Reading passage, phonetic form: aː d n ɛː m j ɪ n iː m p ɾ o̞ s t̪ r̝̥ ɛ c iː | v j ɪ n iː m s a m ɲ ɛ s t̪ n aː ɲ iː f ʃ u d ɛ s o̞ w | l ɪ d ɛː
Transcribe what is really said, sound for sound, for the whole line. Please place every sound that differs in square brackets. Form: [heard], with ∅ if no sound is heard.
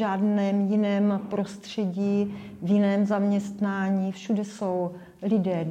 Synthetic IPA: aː d n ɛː m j ɪ n [ɛː] m p ɾ o̞ s t̪ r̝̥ ɛ [ɟ] iː | v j ɪ n [ɛː] m [z] a m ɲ ɛ s t̪ n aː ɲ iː f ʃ u d ɛ s o̞ w | l ɪ d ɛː